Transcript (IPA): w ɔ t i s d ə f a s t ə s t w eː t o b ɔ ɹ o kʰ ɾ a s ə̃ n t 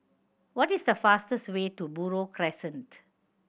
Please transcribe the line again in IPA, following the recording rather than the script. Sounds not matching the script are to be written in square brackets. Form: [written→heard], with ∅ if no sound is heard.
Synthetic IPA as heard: w ɔ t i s d ə f a s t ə s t w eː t [o→u] b [ɔ→u] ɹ o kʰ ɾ [a→ɛ] s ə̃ n t